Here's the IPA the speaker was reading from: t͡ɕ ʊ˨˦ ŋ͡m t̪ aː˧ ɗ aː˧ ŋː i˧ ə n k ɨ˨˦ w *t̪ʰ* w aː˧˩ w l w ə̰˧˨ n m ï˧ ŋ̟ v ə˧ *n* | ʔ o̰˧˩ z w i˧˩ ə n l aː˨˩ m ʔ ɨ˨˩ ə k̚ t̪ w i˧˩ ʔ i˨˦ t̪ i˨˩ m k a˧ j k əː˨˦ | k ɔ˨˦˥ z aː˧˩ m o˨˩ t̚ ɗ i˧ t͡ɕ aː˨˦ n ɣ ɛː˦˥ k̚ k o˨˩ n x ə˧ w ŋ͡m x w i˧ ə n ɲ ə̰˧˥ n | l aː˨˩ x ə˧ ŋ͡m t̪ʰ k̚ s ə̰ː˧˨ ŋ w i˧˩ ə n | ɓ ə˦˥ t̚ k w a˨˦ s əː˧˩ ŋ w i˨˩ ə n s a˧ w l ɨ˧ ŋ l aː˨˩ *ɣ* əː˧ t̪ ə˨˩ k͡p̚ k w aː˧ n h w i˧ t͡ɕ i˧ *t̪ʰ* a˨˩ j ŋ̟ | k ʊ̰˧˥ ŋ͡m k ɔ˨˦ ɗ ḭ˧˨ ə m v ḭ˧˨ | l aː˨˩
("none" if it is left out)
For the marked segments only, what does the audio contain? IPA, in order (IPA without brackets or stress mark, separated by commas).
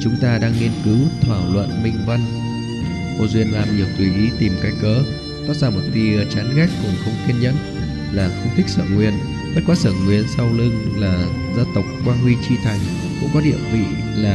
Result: t̪ʰ, n, z, t̪ʰ